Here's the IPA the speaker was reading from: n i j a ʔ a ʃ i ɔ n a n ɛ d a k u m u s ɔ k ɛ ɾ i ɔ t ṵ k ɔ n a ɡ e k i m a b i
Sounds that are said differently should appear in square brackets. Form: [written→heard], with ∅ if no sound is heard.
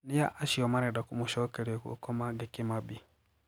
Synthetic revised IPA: n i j a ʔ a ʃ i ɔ [n→m] a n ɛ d a k u m u [s→ʃ] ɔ k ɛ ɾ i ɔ [t→k] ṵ k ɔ [n→m] a ɡ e k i m a b i